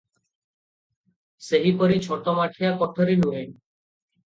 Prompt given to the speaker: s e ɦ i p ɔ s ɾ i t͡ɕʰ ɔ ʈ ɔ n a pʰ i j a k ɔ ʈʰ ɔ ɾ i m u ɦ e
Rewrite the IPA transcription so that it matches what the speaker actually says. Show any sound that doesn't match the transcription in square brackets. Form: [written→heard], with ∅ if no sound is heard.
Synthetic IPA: s e ɦ i p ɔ [s→∅] ɾ i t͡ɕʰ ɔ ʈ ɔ [n→m] a [pʰ→ʈʰ] i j a k ɔ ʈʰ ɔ ɾ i [m→n] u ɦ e

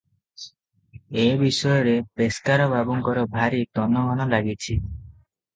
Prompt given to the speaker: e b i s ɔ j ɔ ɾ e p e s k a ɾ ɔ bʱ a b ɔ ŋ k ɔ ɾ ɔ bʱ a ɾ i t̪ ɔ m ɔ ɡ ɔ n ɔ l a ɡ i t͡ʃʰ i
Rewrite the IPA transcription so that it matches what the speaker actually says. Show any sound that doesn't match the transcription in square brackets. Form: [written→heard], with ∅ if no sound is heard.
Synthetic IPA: e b i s ɔ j ɔ ɾ e p e s k a ɾ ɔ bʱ a b ɔ ŋ k ɔ ɾ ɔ bʱ a ɾ i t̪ ɔ [m→n] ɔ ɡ ɔ n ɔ l a ɡ i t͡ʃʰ i

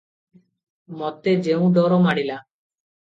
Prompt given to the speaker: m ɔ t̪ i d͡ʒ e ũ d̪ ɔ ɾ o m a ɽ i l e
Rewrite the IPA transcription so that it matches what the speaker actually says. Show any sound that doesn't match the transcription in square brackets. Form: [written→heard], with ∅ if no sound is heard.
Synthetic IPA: m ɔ t̪ [i→e] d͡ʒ e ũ d̪ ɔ ɾ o m a ɽ i l [e→a]

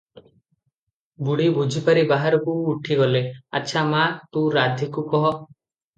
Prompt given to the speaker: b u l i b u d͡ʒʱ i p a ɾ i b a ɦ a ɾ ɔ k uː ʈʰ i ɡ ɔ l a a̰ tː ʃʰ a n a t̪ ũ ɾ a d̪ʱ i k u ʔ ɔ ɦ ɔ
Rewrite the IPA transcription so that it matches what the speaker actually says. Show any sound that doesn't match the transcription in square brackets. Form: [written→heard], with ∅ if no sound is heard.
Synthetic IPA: b u [l→ɽ] i b u d͡ʒʱ i p a ɾ i b a ɦ a ɾ ɔ k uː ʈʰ i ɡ ɔ l [a→e] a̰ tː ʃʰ a [n→m] a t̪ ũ ɾ a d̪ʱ i k u [ʔ→k] ɔ ɦ ɔ

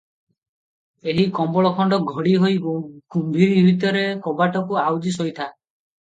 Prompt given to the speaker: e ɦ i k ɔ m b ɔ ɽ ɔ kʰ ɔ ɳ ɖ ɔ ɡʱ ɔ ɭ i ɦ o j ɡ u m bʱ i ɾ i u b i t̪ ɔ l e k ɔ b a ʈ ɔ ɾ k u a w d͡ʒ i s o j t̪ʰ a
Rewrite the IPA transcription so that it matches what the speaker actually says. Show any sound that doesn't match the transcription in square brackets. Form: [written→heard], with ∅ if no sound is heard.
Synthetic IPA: e ɦ i k ɔ m b ɔ [ɽ→ɭ] ɔ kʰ ɔ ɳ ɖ ɔ ɡʱ ɔ [ɭ→ɽ] i ɦ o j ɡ u m bʱ i ɾ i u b i t̪ ɔ [l→ɾ] e k ɔ b a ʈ ɔ [ɾ→∅] k u a w d͡ʒ i s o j t̪ʰ a

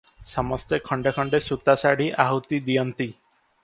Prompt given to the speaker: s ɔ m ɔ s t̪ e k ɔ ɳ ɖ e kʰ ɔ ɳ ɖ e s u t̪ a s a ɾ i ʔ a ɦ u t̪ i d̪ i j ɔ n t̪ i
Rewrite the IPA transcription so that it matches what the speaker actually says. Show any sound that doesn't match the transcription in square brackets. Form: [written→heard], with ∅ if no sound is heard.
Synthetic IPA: s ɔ m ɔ s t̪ e [k→kʰ] ɔ ɳ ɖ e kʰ ɔ ɳ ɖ e s u t̪ a s a [ɾ→ɽ] i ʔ a ɦ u t̪ i d̪ i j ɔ n t̪ i

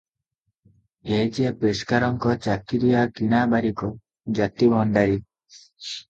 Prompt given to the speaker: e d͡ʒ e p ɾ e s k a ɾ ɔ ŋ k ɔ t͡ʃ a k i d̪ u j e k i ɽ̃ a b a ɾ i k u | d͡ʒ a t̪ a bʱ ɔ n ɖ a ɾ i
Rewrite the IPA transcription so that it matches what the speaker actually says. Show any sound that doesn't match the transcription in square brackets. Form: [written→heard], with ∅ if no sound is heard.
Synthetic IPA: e d͡ʒ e p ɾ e s k a ɾ ɔ ŋ k ɔ t͡ʃ a k i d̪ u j [e→a] k i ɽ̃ a b a ɾ i k [u→ɔ] | d͡ʒ a t̪ [a→i] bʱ ɔ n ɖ a ɾ i

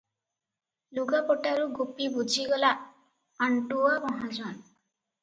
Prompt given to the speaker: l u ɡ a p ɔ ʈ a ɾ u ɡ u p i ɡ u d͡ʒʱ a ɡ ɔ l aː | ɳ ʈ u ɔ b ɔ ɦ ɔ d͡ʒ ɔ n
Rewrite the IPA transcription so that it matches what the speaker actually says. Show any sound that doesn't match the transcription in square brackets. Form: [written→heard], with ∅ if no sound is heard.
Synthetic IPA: l u ɡ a p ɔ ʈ a ɾ u ɡ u p i [ɡ→b] u d͡ʒʱ [a→i] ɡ ɔ l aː | ɳ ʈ u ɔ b ɔ ɦ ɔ d͡ʒ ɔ n

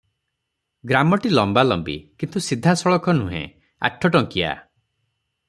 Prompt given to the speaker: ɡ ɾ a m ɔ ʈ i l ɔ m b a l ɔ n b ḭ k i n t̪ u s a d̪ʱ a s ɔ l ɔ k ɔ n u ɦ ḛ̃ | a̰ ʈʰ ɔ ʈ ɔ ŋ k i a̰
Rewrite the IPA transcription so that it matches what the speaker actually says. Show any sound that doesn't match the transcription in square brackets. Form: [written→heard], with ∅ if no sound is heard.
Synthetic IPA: ɡ ɾ a m ɔ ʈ i l ɔ m b a l ɔ [n→m] b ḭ k i n t̪ u s [a→i] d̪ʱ a s ɔ [l→ɭ] ɔ k ɔ n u ɦ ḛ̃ | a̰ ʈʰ ɔ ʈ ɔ ŋ k i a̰

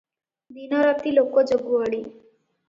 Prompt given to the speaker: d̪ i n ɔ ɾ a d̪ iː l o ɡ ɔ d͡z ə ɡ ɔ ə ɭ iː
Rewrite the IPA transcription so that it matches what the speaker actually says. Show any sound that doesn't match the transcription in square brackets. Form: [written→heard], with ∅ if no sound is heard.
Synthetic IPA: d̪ i n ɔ ɾ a [d̪→t̪] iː l o [ɡ→k] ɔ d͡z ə ɡ [ɔ→u] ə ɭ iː

